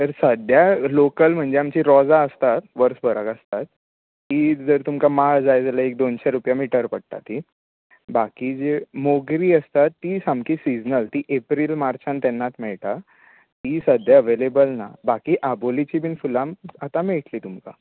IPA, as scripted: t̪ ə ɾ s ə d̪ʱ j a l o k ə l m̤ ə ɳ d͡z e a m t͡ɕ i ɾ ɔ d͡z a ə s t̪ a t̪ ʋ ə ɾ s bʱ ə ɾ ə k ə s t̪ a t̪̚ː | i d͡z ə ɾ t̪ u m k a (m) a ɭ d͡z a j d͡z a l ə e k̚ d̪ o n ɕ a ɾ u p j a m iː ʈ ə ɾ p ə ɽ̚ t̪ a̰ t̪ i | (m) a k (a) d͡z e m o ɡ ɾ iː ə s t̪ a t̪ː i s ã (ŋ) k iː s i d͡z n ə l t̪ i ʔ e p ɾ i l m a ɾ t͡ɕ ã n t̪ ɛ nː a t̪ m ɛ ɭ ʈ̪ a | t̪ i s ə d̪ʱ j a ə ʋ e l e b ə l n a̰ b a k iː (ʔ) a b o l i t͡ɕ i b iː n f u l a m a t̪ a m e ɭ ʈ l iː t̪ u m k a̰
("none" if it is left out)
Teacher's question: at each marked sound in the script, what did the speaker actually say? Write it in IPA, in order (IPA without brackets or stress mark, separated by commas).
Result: m, b, i, m, ʔ